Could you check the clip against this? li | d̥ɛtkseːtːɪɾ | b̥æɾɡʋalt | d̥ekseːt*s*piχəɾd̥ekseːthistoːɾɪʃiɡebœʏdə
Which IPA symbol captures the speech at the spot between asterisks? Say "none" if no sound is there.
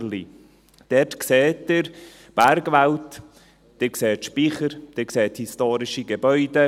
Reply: ʃ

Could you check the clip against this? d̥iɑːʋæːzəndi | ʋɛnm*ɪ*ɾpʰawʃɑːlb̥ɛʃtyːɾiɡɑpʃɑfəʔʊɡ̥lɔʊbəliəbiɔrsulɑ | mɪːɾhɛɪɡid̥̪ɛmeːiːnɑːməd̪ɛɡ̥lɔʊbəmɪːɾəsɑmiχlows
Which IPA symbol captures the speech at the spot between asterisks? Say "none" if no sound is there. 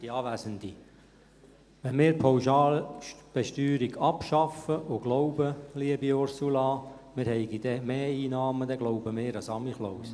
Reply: ɪː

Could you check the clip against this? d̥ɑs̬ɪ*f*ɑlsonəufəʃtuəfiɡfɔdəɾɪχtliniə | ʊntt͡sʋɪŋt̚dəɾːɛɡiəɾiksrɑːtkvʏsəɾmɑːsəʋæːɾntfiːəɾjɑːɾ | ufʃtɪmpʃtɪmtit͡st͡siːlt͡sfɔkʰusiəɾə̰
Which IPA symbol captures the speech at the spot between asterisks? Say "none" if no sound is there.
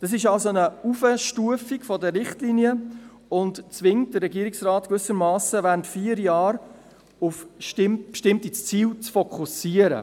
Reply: ʃ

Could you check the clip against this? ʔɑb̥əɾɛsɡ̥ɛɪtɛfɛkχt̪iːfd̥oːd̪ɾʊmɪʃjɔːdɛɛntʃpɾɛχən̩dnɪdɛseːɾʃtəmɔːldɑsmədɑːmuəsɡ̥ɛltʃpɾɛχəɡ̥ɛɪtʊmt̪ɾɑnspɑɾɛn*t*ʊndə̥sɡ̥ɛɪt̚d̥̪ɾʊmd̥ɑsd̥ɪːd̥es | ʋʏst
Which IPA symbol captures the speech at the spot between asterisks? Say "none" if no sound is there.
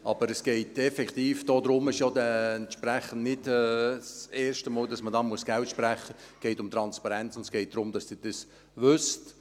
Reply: t͡s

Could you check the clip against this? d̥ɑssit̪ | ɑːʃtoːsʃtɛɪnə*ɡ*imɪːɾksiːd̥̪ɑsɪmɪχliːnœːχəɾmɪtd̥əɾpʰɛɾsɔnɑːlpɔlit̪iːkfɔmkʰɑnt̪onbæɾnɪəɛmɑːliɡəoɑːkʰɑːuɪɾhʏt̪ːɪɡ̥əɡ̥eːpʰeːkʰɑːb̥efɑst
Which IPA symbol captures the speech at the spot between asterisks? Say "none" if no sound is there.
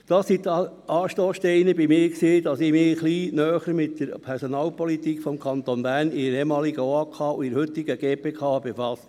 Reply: b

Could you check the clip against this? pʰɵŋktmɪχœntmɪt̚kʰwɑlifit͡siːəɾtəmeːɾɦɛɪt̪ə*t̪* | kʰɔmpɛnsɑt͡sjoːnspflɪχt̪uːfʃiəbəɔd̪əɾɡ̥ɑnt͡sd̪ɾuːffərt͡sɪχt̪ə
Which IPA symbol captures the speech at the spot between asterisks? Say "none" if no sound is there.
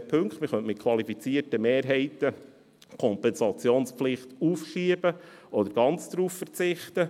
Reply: none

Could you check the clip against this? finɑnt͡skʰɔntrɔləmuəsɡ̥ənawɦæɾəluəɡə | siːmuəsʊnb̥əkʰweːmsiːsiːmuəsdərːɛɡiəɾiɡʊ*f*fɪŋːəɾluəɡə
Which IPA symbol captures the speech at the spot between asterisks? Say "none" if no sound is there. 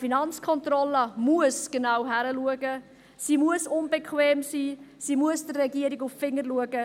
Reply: f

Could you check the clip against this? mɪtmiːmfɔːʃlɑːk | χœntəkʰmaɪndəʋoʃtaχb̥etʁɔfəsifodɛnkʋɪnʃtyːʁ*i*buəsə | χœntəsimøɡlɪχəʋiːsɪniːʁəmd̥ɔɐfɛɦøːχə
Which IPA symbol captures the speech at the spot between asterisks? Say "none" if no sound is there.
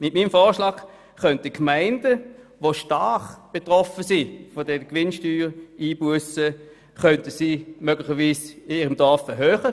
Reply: iː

